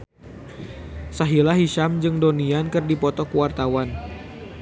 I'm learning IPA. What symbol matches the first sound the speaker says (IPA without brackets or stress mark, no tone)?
s